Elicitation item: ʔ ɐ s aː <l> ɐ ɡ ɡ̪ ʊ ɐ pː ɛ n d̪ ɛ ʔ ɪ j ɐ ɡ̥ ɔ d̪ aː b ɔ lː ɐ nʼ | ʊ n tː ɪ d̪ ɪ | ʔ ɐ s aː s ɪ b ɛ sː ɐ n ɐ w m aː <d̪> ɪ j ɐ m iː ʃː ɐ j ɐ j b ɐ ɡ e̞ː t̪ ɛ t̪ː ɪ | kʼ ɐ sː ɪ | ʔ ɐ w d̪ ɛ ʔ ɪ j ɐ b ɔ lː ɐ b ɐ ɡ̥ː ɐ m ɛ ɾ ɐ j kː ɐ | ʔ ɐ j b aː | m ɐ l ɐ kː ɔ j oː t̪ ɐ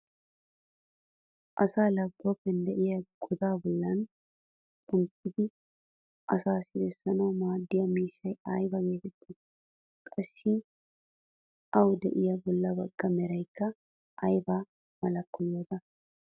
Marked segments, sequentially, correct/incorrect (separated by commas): correct, incorrect